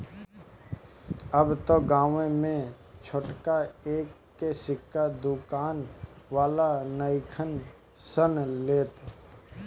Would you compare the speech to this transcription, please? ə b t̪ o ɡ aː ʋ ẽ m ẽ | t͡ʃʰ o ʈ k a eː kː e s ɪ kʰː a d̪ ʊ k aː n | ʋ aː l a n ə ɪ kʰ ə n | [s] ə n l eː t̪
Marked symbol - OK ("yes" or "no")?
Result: yes